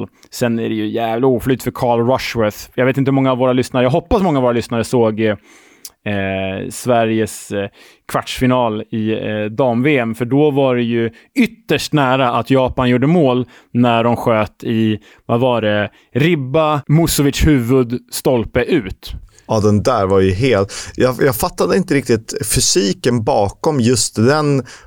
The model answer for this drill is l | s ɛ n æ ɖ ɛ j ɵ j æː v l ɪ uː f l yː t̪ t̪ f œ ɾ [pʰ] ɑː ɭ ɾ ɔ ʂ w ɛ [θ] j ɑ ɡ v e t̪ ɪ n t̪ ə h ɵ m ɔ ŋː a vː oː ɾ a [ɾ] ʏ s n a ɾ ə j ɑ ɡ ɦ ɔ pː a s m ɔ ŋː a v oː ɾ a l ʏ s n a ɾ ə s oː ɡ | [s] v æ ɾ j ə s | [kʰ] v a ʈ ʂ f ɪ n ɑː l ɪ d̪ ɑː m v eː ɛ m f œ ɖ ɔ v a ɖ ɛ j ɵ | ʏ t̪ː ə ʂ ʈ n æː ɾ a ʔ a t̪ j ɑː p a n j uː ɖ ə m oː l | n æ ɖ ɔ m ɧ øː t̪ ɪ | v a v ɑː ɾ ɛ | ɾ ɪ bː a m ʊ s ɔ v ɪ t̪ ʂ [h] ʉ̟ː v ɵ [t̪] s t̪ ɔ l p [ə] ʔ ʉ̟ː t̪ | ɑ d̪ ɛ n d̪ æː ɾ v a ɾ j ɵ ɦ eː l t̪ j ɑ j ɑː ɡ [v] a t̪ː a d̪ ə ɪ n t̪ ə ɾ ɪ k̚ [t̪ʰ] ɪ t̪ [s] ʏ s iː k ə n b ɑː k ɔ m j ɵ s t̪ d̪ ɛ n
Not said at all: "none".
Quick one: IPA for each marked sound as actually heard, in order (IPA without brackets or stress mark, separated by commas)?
kʰ, θ, l, s, kʰ, h, d̪, ə, f, t̪, f